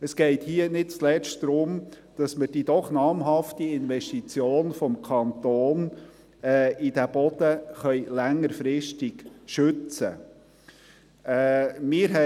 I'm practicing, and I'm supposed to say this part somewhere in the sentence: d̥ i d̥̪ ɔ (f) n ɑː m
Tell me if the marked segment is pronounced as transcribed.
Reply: no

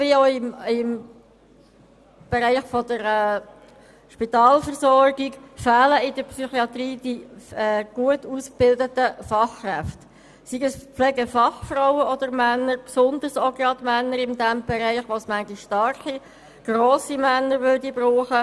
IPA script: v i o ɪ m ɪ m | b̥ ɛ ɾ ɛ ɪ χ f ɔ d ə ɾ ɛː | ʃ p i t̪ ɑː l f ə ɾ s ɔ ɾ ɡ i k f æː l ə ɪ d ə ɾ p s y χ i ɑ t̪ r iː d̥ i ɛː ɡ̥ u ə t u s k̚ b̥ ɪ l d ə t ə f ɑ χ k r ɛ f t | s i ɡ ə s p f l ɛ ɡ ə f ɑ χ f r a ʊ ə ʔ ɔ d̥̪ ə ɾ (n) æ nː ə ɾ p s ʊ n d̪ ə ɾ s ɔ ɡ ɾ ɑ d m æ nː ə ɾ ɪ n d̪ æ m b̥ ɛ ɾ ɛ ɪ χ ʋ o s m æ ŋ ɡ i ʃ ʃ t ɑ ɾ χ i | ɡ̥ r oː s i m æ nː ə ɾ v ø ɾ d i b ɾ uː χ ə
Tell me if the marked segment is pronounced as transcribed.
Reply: no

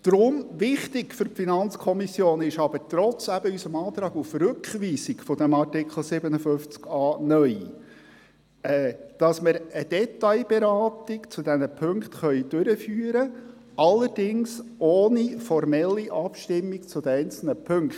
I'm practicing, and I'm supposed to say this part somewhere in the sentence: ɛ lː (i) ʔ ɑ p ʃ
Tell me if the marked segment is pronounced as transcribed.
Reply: yes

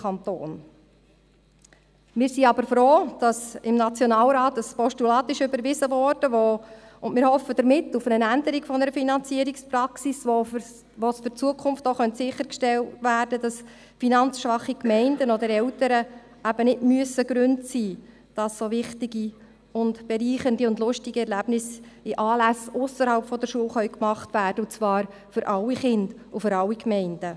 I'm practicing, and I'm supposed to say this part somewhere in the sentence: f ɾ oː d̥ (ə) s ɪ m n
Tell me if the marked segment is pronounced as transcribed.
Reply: no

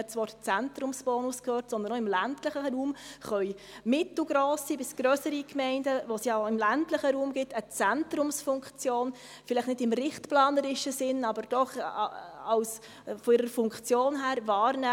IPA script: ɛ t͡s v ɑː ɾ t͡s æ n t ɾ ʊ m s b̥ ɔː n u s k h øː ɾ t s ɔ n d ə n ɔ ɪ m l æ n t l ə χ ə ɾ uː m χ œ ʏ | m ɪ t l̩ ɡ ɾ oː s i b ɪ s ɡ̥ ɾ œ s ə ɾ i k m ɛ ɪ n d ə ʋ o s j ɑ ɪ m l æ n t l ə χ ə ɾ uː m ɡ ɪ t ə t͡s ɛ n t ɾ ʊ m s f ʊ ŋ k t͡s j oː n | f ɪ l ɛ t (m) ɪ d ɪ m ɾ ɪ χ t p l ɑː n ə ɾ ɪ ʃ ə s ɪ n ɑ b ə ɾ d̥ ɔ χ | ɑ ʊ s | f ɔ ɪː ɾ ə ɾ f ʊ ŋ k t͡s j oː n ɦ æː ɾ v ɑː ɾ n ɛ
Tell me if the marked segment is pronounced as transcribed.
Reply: no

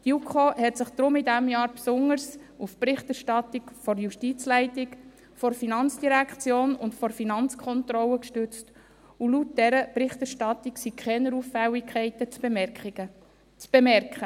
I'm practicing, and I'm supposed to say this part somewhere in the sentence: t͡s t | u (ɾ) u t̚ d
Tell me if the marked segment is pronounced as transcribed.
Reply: no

